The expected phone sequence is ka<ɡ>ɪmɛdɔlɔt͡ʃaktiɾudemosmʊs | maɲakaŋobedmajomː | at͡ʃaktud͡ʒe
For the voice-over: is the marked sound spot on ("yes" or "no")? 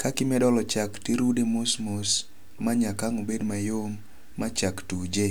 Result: no